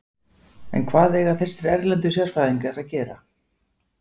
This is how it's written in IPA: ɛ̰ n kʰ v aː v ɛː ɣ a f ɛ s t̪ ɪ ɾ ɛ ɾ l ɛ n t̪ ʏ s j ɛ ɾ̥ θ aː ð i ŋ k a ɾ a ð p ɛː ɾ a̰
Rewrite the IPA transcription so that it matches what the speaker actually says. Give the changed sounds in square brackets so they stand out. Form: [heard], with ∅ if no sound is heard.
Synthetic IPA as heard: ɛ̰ n kʰ v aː [ð] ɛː ɣ a [θ] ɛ s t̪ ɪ ɾ ɛ ɾ l ɛ n t̪ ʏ s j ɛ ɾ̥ [f] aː ð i ŋ k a ɾ a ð [c] ɛː ɾ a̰